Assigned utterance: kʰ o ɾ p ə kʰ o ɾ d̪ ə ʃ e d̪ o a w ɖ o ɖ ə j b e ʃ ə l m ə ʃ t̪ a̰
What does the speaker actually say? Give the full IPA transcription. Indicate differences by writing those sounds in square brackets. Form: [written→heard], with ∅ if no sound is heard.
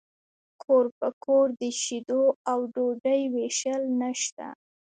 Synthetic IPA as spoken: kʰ o ɾ p ə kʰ o ɾ d̪ ə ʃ [e→i] d̪ o a w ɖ o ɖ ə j [b→w] e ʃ ə l [m→n] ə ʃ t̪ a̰